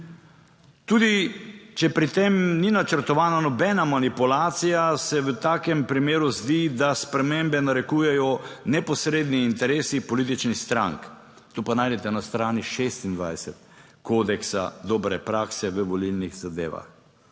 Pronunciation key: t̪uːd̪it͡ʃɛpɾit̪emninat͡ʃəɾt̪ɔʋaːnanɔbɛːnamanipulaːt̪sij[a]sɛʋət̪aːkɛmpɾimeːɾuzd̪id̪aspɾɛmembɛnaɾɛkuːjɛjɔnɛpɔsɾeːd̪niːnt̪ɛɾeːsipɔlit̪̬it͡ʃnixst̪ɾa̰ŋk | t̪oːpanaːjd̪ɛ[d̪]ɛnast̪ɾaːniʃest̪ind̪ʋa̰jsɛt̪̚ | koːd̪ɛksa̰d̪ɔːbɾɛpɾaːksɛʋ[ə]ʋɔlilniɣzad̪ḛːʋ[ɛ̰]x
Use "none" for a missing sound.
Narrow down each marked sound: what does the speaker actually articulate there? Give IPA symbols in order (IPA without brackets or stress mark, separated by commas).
a, t̪, ə, a̰